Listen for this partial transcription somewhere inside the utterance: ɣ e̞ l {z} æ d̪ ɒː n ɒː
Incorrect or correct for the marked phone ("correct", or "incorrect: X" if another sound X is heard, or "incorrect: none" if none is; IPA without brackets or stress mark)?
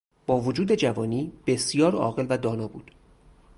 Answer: incorrect: v